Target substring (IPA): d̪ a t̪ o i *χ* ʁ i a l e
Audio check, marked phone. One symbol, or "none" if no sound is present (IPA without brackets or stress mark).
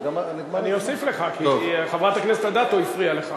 f